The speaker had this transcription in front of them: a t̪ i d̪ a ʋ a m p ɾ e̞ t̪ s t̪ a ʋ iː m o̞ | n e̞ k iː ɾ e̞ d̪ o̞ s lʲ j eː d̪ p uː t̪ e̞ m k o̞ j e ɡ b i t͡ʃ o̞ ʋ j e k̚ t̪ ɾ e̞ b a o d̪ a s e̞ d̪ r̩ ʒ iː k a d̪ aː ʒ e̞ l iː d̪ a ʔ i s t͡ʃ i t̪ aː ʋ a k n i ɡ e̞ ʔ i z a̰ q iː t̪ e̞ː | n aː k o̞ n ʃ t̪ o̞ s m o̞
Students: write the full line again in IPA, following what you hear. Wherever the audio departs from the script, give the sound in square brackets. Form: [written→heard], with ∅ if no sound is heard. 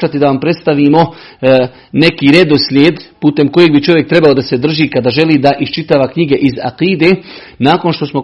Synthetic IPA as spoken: a t̪ i d̪ a ʋ a m p ɾ e̞ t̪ s t̪ a ʋ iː m o̞ | n e̞ k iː ɾ e̞ d̪ o̞ s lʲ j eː d̪ p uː t̪ e̞ m k o̞ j e ɡ b i t͡ʃ o̞ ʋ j e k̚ t̪ ɾ e̞ b a o d̪ a s e̞ d̪ r̩ ʒ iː k a d̪ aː ʒ e̞ l iː d̪ a ʔ i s t͡ʃ i t̪ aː ʋ a k [n→ɲ] i ɡ e̞ ʔ i z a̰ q iː [t̪→d̪] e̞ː | n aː k o̞ n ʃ t̪ o̞ s m o̞